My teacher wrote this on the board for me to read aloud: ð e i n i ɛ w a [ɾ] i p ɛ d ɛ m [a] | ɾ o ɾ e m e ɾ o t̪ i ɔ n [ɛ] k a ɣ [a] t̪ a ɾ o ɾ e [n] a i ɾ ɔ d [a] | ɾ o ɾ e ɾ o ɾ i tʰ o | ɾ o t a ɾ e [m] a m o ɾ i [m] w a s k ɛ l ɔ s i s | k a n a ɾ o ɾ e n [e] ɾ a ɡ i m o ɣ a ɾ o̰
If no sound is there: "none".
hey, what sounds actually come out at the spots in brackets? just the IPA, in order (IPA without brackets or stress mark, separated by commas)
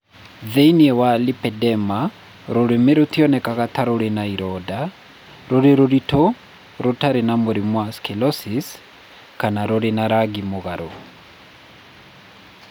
l, a, ɛ, a, n, a, n, m, a